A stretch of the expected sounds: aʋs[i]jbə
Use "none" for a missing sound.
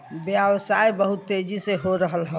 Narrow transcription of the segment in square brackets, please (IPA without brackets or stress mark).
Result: a